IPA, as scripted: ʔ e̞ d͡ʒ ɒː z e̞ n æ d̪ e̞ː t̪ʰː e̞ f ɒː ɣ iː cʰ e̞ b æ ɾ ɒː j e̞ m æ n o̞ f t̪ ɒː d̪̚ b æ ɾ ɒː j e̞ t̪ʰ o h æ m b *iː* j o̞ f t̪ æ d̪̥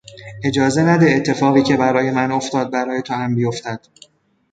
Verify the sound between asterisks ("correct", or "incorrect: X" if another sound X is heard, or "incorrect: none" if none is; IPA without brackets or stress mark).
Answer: incorrect: i